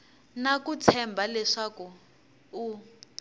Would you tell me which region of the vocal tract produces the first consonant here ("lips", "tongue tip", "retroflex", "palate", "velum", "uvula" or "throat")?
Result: tongue tip